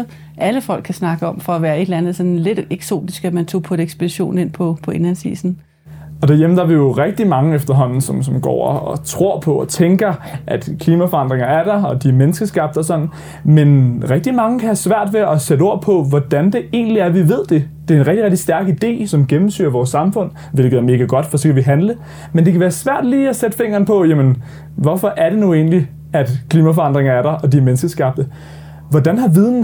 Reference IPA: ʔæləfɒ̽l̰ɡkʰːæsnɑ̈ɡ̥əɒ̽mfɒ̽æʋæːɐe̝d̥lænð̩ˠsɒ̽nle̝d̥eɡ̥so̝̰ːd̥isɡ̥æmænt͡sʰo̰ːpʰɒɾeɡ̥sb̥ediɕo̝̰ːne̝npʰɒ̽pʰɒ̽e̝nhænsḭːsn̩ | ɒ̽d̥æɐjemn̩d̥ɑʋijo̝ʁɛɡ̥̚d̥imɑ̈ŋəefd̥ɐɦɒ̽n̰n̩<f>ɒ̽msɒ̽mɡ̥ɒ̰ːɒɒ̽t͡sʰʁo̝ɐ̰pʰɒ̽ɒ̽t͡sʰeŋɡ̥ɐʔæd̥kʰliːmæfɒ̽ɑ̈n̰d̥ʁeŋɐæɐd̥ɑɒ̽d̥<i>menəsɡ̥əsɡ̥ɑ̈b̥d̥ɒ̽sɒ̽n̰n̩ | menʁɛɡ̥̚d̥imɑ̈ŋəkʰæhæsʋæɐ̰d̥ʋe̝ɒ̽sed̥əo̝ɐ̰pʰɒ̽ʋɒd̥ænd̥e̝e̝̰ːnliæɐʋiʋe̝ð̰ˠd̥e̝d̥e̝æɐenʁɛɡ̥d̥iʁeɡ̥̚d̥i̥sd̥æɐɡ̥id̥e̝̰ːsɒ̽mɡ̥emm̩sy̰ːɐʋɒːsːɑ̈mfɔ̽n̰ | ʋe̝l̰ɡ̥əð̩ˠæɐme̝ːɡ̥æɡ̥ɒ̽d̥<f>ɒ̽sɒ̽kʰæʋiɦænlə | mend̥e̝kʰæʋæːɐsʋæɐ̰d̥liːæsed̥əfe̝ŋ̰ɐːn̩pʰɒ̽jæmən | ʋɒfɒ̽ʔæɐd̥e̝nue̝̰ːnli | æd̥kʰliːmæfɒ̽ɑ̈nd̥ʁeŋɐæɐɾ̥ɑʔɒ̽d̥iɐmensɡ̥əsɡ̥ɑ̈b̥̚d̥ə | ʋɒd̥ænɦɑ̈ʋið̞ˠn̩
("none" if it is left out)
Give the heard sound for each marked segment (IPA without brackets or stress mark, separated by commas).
s, i, f